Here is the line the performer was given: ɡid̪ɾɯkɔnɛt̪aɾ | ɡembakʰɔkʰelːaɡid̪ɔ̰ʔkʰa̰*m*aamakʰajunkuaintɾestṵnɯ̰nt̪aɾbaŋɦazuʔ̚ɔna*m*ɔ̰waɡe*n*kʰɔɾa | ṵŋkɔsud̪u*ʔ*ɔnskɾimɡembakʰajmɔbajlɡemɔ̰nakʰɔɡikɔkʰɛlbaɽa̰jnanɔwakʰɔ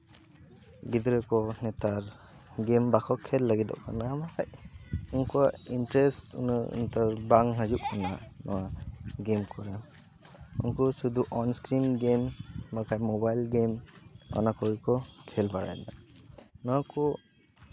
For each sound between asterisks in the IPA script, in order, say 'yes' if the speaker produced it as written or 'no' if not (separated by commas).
no, no, no, yes